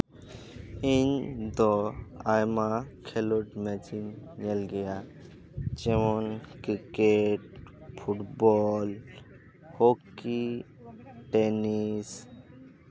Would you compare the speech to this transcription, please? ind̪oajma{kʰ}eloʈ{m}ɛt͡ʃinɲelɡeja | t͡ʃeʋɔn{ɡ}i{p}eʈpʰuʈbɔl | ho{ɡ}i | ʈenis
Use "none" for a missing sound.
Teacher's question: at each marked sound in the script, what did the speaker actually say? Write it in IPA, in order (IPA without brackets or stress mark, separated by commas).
kʰ, m, k, k, k